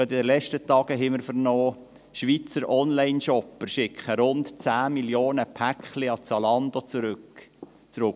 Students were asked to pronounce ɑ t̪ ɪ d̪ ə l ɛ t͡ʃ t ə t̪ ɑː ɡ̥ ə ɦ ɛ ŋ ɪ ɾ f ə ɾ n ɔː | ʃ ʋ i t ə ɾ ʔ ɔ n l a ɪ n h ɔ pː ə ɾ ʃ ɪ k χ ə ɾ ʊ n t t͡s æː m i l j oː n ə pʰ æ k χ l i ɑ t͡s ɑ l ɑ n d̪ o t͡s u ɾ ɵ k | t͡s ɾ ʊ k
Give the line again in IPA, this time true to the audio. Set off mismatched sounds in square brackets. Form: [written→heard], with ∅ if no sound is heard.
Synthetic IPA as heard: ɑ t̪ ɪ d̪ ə l ɛ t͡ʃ t ə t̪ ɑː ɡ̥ ə ɦ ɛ [ŋ→m] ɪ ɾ f ə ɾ n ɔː | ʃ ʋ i [t→t͡s] ə ɾ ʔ ɔ n l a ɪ n [h→ʃ] ɔ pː ə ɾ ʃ ɪ k χ ə ɾ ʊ n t t͡s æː m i l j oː n ə pʰ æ k χ l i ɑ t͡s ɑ l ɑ n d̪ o t͡s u ɾ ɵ k | t͡s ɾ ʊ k